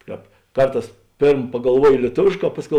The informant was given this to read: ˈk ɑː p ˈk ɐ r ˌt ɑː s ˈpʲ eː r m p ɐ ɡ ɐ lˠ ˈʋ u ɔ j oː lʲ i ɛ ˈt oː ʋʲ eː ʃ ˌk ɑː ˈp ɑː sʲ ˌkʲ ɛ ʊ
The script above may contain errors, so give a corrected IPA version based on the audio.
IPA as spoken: ˈk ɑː p ˈk ɐ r ˌt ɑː s ˈpʲ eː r m p ɐ ɡ ɐ lˠ ˈʋ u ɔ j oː lʲ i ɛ ˈt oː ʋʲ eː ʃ ˌk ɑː ˈp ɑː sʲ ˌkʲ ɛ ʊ